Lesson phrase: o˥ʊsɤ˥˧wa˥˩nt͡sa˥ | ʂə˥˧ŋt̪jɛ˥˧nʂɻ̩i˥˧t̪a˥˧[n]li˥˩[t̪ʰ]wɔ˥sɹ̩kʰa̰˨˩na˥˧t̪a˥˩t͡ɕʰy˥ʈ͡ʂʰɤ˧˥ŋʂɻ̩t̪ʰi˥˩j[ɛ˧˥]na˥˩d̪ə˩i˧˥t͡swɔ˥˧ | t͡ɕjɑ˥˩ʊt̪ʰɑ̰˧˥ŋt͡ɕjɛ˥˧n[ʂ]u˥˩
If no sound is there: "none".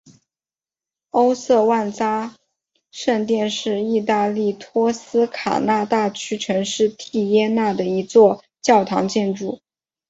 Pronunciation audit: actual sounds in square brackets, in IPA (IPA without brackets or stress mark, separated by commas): none, t̪ʰ, ɛ˥, ʈ͡ʂ